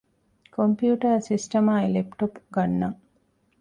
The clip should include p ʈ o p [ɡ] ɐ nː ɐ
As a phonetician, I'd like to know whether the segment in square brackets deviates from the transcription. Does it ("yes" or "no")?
no